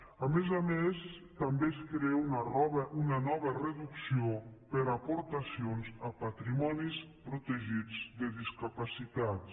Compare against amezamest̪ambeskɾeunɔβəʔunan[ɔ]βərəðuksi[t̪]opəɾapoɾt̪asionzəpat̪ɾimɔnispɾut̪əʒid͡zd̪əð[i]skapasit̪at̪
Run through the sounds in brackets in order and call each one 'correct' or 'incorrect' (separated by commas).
correct, incorrect, correct